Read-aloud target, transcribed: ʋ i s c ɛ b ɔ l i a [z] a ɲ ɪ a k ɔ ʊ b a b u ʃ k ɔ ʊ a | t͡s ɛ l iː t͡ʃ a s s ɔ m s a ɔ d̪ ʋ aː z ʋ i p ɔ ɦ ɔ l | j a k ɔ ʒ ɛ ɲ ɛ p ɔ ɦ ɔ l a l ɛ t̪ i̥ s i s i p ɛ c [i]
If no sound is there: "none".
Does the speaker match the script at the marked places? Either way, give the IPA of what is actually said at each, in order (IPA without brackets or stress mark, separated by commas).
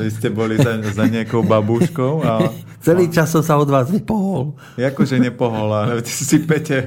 z, ɛ